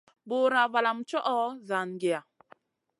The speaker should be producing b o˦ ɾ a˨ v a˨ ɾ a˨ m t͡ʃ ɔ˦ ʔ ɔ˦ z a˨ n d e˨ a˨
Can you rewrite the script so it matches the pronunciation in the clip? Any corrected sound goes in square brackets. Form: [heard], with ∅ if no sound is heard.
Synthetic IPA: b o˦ ɾ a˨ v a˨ [l] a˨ m t͡ʃ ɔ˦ ʔ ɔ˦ z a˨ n [ɡ] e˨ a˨